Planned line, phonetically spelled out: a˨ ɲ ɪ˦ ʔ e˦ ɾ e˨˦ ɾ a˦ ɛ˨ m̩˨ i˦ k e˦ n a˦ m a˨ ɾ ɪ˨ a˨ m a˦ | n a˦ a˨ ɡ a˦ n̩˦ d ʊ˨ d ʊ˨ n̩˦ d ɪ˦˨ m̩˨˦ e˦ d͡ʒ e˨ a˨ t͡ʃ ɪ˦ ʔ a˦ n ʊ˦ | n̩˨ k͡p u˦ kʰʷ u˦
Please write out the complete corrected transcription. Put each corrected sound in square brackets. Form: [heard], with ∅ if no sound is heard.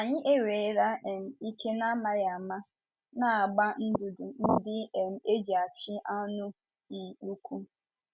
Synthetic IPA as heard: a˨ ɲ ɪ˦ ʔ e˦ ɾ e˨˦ ɾ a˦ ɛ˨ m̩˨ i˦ k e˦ n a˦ m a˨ ɾ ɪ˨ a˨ m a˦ | n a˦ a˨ [ɡ͡b] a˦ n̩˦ d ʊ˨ d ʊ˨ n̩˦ d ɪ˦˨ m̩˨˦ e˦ d͡ʒ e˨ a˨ t͡ʃ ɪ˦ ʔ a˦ n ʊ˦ | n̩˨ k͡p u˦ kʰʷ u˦